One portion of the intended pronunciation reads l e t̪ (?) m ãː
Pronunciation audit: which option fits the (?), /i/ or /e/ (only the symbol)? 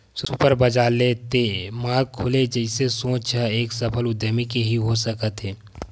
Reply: e